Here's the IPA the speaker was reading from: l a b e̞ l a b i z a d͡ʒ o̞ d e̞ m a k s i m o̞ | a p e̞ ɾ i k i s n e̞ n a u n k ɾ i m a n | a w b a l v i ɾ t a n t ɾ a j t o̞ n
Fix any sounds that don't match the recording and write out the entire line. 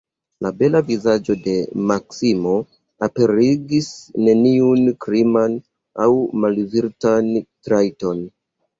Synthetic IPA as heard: l a b e̞ l a v i z a d͡ʒ o̞ d e̞ m a k s i m o̞ | a p e̞ ɾ i ɡ i s n e̞ n i u n k ɾ i m a n | a w m a l v i ɾ t a n t ɾ a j t o̞ n